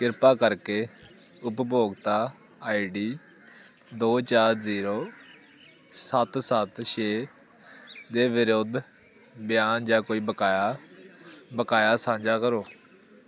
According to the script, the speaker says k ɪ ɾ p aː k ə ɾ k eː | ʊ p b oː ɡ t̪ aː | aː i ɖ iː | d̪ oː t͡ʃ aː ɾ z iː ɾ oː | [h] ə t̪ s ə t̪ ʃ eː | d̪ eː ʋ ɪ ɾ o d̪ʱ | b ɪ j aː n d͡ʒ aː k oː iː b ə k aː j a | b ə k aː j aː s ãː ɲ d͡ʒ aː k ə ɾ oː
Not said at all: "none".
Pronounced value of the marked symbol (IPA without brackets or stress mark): s